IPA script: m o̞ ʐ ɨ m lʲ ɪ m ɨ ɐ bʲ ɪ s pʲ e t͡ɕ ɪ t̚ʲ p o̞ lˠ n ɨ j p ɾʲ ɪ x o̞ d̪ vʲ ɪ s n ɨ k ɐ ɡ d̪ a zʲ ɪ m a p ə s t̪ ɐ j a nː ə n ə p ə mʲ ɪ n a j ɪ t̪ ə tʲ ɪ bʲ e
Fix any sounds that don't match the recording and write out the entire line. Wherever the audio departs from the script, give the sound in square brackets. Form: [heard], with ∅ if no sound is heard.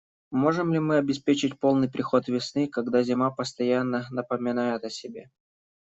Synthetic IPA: m o̞ ʐ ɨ m lʲ ɪ m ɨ ɐ bʲ ɪ s pʲ e t͡ɕ ɪ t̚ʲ p o̞ lˠ n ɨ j p ɾʲ ɪ x o̞ [t̪] vʲ ɪ s n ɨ k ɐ ɡ d̪ a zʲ ɪ m a p ə s t̪ ɐ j a nː ə n ə p ə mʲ ɪ n a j ɪ t̪ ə [sʲ] ɪ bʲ e